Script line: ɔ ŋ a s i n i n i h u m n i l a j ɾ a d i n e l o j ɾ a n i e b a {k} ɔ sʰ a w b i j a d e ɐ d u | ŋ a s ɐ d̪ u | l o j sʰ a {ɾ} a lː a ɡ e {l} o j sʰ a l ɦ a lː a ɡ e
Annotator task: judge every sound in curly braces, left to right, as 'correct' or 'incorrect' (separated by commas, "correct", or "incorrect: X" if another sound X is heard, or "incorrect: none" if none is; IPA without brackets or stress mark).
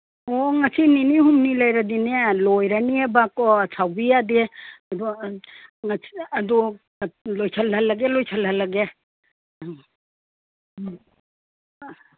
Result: correct, incorrect: l, correct